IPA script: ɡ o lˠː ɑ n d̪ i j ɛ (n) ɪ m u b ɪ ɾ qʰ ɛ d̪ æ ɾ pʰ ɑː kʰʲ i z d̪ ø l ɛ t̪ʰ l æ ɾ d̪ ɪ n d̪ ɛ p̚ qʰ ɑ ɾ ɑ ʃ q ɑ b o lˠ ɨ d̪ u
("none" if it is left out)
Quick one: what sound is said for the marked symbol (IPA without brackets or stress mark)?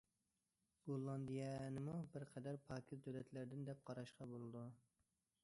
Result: n